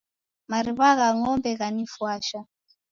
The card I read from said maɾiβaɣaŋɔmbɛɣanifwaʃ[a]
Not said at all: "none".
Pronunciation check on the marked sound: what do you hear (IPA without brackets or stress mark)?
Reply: a